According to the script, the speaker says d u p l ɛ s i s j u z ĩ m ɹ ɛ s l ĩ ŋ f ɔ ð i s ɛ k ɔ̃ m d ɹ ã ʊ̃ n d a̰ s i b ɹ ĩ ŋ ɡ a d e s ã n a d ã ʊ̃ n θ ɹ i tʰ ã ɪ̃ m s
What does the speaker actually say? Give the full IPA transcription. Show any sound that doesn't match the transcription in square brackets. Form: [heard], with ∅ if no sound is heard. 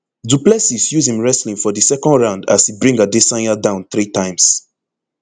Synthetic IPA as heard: d u p l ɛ s i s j u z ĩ m ɹ ɛ s l ĩ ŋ f ɔ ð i s ɛ k ɔ̃ [n] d ɹ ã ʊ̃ n d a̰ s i b ɹ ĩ ŋ ɡ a d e s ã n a d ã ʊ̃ n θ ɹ i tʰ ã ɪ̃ m s